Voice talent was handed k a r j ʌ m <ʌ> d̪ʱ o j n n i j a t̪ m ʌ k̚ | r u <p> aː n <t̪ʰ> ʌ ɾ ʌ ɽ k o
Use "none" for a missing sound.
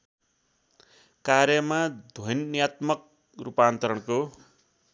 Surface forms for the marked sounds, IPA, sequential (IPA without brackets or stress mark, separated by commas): a, p, t̪